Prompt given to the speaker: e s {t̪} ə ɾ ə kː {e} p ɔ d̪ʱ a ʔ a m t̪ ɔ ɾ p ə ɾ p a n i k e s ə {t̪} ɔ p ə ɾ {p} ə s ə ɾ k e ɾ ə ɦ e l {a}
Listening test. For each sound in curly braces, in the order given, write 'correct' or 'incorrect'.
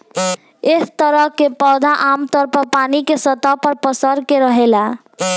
correct, correct, correct, correct, correct

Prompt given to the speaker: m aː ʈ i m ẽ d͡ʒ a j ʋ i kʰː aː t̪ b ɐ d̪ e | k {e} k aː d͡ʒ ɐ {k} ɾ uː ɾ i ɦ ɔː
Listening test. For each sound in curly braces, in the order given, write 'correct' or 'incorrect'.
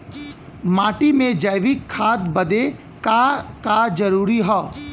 incorrect: a, incorrect: none

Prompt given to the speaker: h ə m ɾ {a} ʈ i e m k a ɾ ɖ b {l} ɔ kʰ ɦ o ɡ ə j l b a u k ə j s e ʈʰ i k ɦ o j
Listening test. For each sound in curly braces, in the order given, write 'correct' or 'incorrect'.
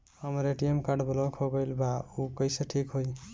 incorrect: e, correct

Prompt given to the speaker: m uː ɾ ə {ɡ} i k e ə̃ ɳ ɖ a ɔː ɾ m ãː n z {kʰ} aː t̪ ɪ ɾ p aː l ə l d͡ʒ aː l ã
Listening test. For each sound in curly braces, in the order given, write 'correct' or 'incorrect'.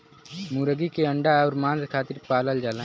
correct, correct

